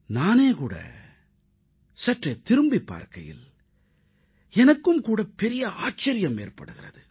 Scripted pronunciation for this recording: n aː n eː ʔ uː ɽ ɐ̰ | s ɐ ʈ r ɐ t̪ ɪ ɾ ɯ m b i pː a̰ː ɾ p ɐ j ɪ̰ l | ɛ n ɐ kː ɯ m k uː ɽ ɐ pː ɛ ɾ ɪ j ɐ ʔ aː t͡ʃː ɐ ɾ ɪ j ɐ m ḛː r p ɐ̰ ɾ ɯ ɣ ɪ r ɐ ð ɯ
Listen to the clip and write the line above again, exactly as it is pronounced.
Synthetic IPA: n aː n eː k uː ɽ ɐ̰ | s ɐ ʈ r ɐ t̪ ɪ ɾ ɯ m b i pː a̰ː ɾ k ɐ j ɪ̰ l | ɛ n ɐ kː ɯ m k uː ɽ ɐ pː ɛ ɾ ɪ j ɐ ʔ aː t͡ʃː ɐ ɾ ɪ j ɐ m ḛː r p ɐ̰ ɽ ɯ ɣ ɪ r ɐ ð ɯ